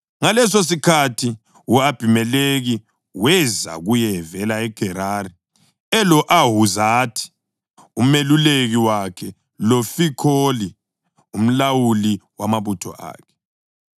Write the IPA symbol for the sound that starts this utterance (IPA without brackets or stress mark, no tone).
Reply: ŋ